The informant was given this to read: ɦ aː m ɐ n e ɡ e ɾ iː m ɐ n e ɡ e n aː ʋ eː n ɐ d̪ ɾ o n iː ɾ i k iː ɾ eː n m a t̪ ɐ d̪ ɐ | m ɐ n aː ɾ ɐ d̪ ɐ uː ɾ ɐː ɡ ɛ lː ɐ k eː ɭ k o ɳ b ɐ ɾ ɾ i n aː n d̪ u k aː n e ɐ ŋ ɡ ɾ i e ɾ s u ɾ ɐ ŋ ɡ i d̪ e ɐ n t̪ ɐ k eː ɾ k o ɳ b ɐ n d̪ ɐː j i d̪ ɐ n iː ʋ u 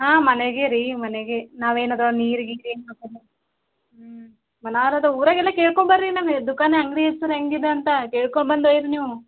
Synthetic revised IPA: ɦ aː m ɐ n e ɡ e ɾ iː m ɐ n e ɡ e n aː ʋ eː n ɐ d̪ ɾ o n iː ɾ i ɡ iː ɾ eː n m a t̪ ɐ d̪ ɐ | m ɐ n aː ɾ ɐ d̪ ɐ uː ɾ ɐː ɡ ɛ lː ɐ k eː ɭ k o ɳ b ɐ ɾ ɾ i n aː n d̪ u k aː n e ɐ ŋ ɡ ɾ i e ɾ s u ɾ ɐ ŋ ɡ i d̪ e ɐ n t̪ ɐ k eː ɭ k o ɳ b ɐ n d̪ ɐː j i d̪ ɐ n iː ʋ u